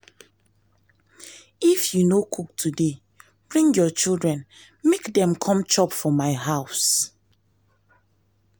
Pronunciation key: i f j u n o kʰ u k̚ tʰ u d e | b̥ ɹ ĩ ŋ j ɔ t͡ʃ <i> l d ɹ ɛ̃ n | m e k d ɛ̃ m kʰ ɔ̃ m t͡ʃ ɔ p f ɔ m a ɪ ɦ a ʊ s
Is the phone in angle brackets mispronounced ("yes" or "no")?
no